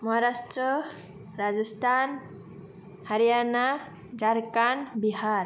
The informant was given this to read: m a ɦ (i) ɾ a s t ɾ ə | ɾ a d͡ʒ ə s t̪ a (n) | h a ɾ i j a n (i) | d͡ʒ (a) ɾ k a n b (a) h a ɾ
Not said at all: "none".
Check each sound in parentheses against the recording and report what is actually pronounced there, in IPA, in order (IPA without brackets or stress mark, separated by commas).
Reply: a, n, a, a, i